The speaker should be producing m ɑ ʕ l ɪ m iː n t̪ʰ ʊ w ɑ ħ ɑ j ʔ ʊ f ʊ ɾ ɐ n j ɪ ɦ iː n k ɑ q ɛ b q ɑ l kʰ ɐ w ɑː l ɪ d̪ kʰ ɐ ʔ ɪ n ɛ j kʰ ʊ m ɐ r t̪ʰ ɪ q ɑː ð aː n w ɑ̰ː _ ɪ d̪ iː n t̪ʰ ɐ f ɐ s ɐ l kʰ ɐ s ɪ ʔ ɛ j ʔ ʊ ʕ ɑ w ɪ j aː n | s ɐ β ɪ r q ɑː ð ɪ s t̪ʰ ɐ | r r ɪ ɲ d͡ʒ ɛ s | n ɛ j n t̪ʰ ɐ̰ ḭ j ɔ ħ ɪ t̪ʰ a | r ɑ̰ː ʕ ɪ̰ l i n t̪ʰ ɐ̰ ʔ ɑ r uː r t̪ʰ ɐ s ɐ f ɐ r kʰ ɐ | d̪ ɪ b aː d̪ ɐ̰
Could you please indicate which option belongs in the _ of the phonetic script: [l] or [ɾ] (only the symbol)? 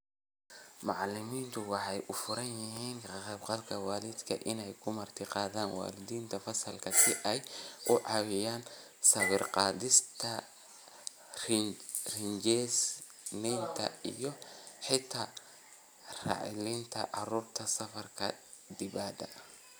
l